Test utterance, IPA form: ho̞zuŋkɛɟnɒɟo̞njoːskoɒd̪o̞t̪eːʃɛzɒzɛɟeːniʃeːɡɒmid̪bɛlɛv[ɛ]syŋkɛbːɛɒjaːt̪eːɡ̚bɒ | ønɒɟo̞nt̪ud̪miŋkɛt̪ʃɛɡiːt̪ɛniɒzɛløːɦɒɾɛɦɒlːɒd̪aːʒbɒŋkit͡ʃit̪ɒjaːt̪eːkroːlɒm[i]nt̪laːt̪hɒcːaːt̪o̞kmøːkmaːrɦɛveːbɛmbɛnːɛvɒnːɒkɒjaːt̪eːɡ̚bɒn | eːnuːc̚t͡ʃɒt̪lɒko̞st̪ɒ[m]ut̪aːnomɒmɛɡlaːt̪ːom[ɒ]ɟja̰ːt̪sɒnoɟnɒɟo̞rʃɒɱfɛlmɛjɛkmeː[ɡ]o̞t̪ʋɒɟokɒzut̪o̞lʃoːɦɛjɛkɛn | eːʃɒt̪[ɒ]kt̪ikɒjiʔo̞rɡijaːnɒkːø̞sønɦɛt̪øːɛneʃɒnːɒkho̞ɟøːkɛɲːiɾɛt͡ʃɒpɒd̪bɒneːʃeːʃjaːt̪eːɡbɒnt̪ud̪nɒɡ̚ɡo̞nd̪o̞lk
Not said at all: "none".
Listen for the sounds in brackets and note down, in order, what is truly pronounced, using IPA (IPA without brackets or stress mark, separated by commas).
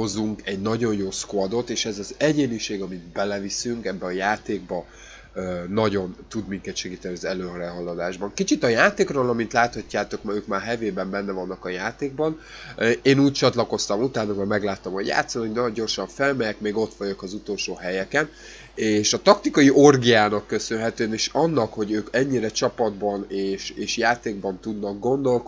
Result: i, i, m, o, ɡ, ɒ